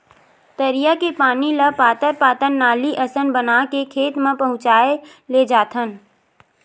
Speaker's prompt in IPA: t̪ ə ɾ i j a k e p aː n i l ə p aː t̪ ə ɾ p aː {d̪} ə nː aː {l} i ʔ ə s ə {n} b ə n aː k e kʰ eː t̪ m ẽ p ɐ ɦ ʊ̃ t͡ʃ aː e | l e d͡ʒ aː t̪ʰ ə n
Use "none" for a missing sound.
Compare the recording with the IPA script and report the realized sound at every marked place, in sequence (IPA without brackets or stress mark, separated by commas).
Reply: t̪, l, n